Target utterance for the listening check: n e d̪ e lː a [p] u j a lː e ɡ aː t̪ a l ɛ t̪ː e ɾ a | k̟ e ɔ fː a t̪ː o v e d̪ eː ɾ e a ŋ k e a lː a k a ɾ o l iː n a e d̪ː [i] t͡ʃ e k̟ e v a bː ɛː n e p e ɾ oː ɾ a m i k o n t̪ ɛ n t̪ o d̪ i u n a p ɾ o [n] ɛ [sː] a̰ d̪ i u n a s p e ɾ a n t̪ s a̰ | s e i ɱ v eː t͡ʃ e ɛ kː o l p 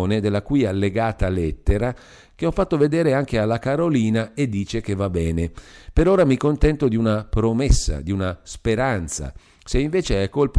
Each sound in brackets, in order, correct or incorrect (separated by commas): incorrect, incorrect, incorrect, correct